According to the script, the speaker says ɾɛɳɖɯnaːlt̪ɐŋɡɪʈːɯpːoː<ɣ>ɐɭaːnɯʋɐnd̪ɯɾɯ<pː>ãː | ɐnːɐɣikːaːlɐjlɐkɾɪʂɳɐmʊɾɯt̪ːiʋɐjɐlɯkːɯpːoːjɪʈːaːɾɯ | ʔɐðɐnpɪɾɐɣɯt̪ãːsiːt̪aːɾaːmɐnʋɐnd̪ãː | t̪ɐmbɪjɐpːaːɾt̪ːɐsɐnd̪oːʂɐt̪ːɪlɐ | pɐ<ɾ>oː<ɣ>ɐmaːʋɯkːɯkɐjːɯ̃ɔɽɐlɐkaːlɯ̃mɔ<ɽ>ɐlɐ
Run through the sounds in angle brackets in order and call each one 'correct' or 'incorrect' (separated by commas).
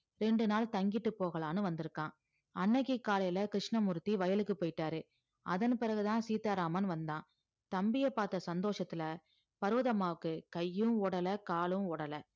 correct, incorrect, correct, incorrect, correct